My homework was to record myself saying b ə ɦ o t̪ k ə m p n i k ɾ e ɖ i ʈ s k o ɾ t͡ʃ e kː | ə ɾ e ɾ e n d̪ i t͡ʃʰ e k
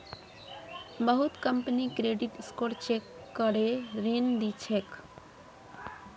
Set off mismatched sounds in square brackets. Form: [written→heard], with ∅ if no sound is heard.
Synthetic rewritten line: b ə ɦ [o→u] t̪ k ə m p n i k ɾ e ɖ i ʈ s k o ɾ t͡ʃ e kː | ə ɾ e ɾ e n d̪ i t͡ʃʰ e k